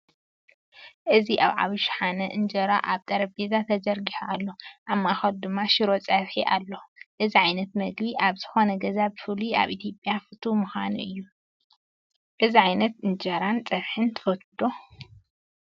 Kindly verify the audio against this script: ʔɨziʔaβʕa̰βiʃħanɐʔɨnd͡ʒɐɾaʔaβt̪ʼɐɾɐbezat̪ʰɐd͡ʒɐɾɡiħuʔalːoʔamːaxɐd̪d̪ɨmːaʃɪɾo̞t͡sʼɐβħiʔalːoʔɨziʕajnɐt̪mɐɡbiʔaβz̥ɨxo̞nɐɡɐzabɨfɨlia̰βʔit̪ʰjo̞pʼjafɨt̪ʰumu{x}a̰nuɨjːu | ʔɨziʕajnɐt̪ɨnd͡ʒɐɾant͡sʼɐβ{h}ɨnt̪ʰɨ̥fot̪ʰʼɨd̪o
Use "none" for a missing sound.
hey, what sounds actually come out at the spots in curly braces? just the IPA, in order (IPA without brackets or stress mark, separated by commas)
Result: x, ħ